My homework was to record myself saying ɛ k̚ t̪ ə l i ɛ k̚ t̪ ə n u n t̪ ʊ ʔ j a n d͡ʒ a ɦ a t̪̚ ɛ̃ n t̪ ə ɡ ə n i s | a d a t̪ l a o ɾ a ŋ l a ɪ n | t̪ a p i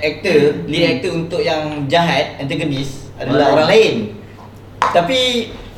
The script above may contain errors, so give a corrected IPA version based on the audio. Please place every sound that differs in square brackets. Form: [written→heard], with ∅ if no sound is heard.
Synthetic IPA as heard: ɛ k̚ t̪ ə l i ɛ k̚ t̪ ə [n→∅] u n t̪ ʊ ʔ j a [n→ŋ] d͡ʒ a ɦ a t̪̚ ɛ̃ n t̪ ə ɡ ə n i s | a d a [t̪→∅] l a o ɾ a ŋ l a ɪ n | t̪ a p i